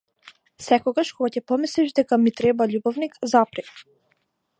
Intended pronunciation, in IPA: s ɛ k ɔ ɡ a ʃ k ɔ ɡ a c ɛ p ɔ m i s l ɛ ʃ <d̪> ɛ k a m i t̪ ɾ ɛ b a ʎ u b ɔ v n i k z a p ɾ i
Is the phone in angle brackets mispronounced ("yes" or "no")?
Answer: no